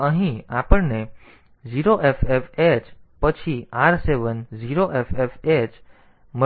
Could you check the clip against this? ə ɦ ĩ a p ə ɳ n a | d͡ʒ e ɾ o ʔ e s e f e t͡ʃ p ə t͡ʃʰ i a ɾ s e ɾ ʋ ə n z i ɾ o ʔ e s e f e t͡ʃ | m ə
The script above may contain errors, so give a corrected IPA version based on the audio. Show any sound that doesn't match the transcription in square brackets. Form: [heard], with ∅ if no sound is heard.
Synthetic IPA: ə ɦ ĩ a p ə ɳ n [e] | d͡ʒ [i] ɾ o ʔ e [f] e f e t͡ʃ p ə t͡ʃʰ i a ɾ s e [∅] ʋ ə n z i ɾ o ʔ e [f] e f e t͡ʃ | m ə